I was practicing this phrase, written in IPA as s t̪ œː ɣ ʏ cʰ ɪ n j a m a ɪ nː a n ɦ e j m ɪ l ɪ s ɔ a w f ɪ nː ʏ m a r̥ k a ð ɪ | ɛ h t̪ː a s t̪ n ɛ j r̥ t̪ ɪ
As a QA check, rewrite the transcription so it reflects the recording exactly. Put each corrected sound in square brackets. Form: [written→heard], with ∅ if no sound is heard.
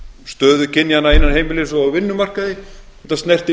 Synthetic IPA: s t̪ œː [ɣ→ð] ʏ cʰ ɪ n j a [m→n] a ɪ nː a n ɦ e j m ɪ l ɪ s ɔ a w [f→v] ɪ nː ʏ m a r̥ k a ð ɪ | ɛ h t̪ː a s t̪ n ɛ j r̥ t̪ ɪ